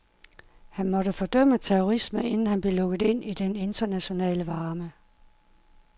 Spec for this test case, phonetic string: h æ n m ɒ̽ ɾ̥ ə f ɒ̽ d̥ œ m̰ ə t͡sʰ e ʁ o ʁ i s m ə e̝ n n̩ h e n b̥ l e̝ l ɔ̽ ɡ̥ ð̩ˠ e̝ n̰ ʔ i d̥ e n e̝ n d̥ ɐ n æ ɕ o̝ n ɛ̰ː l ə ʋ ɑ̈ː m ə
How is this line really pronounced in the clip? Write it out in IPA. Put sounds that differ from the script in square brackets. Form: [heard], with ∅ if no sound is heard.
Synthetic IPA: h æ n m ɒ̽ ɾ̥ ə f ɒ̽ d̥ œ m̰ ə t͡sʰ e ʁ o ʁ i s m ə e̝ n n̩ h [æ] n b̥ l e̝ l ɔ̽ ɡ̥ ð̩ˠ e̝ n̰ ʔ i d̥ e n e̝ n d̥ ɐ n æ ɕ o̝ n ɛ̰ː l ə ʋ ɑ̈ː m ə